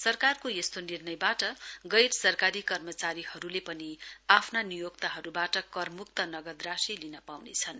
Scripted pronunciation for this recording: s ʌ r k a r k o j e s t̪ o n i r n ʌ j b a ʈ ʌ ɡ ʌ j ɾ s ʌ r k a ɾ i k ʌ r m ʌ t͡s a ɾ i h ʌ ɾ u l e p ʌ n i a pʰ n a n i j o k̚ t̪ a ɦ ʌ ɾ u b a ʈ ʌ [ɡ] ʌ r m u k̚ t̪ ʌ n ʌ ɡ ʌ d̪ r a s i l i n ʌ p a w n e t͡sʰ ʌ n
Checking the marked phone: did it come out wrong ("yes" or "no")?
yes